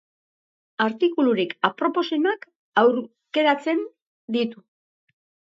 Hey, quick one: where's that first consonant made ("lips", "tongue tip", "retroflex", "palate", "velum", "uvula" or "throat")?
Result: tongue tip